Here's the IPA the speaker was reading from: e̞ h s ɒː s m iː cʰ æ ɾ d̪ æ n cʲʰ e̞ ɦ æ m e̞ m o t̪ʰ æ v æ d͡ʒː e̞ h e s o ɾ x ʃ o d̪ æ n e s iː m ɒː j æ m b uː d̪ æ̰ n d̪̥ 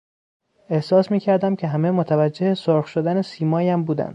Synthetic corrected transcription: e̞ h s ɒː s m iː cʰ æ ɾ d̪ æ m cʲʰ e̞ ɦ æ m e̞ m o t̪ʰ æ v æ d͡ʒː e̞ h e s o ɾ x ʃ o d̪ æ n e s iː m ɒː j æ m b uː d̪ æ̰ n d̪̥